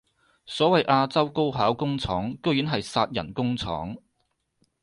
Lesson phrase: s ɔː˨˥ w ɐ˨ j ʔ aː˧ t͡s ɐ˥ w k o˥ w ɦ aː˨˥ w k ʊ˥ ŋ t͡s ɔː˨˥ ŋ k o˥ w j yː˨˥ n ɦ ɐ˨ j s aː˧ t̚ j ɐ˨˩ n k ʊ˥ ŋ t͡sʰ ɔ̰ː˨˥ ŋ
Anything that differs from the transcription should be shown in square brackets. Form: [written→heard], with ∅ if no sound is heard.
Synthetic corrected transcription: s ɔː˨˥ w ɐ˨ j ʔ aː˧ t͡s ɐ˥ w k o˥ w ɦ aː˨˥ w k ʊ˥ ŋ [t͡s→t͡sʰ] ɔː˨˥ ŋ k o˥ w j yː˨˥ n ɦ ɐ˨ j s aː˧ t̚ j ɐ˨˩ n k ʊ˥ ŋ t͡sʰ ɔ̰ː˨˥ ŋ